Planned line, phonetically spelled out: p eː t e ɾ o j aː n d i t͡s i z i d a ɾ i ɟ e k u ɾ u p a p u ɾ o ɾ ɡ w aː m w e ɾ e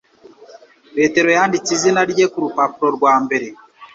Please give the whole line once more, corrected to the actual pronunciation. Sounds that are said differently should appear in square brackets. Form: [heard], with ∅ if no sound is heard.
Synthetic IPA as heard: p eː t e ɾ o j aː n d i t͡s i z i [n] a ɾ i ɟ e k u ɾ u p a p u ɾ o ɾ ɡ w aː m [b] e ɾ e